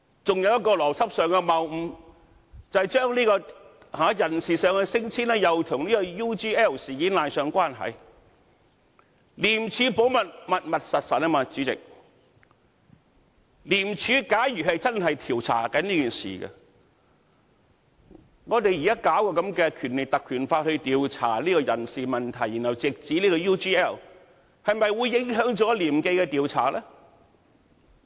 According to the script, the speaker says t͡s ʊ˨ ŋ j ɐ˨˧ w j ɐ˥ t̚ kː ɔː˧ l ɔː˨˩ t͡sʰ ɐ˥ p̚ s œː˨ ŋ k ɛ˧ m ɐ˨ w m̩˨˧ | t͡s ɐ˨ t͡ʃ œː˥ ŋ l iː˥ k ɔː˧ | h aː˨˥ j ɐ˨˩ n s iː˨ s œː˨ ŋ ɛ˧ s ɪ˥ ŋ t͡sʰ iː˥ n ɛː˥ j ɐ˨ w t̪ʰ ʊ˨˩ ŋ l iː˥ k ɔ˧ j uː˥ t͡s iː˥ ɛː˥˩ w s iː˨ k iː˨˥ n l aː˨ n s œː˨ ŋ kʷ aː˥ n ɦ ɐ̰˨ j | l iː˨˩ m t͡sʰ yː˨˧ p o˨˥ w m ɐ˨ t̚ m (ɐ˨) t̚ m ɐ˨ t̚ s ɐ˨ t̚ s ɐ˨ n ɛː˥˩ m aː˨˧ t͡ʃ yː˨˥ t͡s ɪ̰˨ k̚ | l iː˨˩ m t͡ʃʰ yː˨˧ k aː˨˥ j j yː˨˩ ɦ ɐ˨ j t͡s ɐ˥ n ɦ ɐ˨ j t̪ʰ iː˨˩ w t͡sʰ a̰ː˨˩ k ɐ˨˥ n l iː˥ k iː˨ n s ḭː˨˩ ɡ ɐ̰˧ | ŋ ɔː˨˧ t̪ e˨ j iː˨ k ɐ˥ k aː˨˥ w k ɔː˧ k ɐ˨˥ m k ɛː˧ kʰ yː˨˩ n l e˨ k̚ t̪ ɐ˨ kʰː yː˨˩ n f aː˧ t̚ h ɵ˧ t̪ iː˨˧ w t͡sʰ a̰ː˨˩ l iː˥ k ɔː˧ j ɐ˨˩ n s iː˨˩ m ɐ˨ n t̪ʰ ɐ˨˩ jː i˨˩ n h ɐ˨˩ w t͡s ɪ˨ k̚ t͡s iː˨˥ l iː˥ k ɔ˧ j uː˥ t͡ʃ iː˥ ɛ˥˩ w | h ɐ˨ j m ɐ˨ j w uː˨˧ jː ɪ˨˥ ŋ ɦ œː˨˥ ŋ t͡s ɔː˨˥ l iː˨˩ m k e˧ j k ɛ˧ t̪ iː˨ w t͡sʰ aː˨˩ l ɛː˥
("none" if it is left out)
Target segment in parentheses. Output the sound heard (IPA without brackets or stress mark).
ɐ˨